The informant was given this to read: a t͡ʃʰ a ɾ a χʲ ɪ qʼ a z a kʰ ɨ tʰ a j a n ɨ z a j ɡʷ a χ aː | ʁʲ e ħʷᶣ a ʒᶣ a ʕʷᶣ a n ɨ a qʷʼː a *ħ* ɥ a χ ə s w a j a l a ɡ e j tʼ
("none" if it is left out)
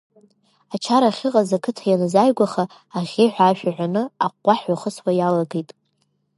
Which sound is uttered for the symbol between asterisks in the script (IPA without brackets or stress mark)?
ħ